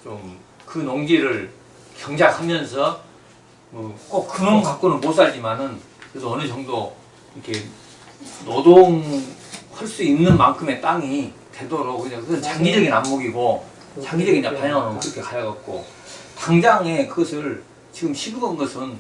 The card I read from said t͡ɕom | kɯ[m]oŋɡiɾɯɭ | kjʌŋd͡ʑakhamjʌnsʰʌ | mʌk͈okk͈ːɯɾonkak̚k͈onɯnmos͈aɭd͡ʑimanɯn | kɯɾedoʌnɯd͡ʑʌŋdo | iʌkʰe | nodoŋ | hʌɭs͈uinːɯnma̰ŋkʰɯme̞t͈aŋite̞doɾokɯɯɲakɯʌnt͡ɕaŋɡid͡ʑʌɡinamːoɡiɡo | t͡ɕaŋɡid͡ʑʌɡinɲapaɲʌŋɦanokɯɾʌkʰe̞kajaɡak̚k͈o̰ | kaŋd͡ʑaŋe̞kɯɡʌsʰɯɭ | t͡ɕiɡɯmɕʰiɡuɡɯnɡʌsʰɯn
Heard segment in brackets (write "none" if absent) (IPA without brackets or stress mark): n